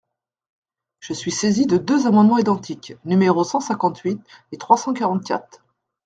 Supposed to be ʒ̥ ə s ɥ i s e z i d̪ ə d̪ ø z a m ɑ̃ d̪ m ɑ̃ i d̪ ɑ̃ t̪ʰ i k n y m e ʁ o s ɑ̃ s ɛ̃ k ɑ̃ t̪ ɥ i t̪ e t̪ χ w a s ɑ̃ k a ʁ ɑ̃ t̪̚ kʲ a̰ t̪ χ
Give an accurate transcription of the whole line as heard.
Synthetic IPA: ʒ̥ ə s ɥ i s e z i d̪ ə d̪ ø z a m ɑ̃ d̪ m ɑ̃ i d̪ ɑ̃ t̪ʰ i k n y m e ʁ o s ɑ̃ s ɛ̃ k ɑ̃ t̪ ɥ i t̪ e t̪ χ w a s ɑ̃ k a ʁ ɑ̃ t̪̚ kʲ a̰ t̪ χ

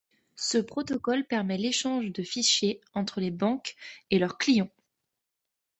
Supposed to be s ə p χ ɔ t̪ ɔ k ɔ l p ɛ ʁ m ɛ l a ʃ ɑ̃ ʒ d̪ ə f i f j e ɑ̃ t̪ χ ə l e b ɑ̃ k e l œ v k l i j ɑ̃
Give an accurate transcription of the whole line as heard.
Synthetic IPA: s ə p χ ɔ t̪ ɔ k ɔ l p ɛ ʁ m ɛ l e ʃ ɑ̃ ʒ d̪ ə f i ʃ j e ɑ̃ t̪ χ ə l e b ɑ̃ k e l œ ʁ k l i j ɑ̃

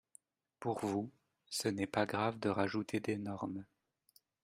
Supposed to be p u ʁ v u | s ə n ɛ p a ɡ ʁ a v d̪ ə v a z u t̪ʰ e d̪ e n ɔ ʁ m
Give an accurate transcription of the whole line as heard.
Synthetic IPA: p u ʁ v u | s ə n ɛ p a ɡ ʁ a v d̪ ə ʁ a ʒ u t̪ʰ e d̪ e n ɔ ʁ m

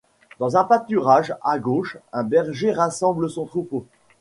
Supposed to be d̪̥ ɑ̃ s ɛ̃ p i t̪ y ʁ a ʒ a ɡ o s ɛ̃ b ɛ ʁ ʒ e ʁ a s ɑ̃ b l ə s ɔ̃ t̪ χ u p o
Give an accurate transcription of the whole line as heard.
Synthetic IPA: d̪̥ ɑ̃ z ɛ̃ p a t̪ y ʁ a ʒ a ɡ o ʃ ɛ̃ b ɛ ʁ ʒ e ʁ a s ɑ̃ b l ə s ɔ̃ t̪ χ u p o

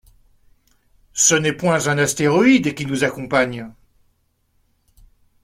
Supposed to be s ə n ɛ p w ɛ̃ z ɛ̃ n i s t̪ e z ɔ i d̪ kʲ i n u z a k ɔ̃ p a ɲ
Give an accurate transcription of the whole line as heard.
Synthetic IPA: s ə n ɛ p w ɛ̃ z ɛ̃ n a s t̪ e ʁ ɔ i d̪ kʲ i n u z a k ɔ̃ p a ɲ

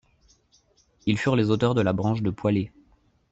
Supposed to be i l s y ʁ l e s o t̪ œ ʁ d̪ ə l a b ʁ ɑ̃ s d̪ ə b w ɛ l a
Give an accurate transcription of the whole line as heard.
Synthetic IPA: i l f y ʁ l e z o t̪ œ ʁ d̪ ə l a b ʁ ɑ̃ ʃ d̪ ə p w a l e

